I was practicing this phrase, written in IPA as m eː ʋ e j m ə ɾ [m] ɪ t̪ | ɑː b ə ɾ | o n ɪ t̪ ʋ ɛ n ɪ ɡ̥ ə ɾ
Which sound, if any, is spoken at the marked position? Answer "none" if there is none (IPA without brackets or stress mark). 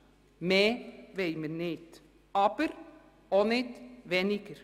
n